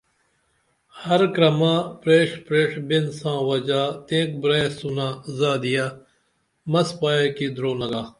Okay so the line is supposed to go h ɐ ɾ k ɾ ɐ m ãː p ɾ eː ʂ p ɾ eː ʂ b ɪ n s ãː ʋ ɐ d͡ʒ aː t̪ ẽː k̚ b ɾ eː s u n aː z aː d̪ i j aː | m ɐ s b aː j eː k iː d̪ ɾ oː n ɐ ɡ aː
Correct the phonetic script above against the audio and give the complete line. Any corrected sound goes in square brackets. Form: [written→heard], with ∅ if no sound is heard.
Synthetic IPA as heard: h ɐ ɾ k ɾ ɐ m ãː p ɾ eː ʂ p ɾ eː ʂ b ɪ n s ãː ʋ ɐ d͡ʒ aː t̪ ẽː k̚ b ɾ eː s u n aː z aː d̪ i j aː | m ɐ s [b→p] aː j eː k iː d̪ ɾ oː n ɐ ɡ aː